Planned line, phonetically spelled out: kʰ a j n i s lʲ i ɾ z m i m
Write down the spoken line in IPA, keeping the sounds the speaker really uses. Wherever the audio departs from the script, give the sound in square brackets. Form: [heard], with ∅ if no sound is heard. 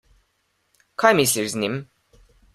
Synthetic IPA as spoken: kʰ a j [m] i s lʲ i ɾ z [n] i m